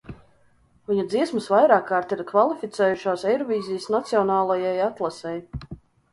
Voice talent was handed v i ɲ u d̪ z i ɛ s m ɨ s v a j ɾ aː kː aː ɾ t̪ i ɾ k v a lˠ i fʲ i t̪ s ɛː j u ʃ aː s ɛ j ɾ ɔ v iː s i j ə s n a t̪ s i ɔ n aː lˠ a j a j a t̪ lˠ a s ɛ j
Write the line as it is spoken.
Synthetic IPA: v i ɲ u d̪ z i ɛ s m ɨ s v a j ɾ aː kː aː ɾ t̪ i ɾ k v a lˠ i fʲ i t̪ s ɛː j u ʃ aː s ɛ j ɾ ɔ v iː z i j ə s n a t̪ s i ɔ n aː lˠ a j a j a t̪ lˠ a s ɛ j